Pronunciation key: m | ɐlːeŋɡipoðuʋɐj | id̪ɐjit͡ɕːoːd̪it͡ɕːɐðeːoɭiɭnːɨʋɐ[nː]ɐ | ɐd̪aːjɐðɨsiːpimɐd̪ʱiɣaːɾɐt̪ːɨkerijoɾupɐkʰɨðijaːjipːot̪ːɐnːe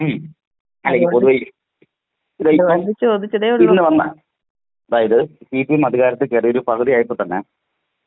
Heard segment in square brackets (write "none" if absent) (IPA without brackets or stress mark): nː